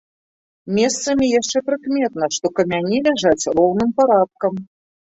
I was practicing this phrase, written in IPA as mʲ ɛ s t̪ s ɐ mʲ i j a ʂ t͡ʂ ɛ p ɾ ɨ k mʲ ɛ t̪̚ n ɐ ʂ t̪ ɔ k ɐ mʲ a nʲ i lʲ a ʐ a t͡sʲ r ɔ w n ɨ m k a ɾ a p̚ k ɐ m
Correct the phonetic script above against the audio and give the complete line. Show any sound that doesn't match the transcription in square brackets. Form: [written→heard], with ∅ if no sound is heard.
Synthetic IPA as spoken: mʲ ɛ s t̪ s ɐ mʲ i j a ʂ t͡ʂ ɛ p ɾ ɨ k mʲ ɛ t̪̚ n ɐ ʂ t̪ ɔ k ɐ mʲ a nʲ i lʲ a ʐ a t͡sʲ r ɔ w n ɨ m [k→p] a ɾ a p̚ k ɐ m